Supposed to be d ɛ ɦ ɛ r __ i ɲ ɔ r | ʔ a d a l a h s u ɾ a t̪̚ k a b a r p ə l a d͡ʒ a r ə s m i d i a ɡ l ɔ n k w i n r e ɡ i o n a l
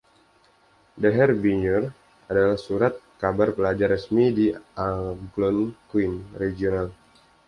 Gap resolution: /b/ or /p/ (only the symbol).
b